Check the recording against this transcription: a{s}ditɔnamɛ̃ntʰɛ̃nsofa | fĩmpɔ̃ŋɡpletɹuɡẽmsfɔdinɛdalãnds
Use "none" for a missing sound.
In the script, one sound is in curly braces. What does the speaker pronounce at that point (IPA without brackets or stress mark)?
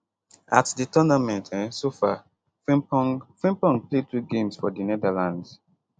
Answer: t